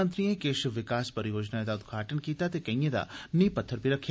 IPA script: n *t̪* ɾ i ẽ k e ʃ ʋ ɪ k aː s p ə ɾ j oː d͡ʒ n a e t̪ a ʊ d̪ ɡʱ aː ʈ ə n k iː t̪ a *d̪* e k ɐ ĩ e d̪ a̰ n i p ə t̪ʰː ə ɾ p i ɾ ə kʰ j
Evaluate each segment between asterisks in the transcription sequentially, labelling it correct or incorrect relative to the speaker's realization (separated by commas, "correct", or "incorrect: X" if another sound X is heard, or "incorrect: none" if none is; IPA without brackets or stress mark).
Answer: correct, incorrect: t̪